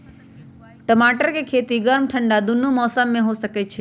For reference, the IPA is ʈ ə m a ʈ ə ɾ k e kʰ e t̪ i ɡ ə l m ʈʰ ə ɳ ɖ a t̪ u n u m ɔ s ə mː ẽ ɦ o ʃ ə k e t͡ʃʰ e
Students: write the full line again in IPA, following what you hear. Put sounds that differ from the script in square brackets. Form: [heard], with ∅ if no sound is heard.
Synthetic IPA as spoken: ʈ ə m a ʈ ə ɾ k e kʰ e t̪ i ɡ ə [ɾ] m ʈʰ ə ɳ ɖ a [d̪] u n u m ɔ s ə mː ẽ ɦ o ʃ ə k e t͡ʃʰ e